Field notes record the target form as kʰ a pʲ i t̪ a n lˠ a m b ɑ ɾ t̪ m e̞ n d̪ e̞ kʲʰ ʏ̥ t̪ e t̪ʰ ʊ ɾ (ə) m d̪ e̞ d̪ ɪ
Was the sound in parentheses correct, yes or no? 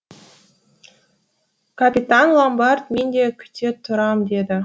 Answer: no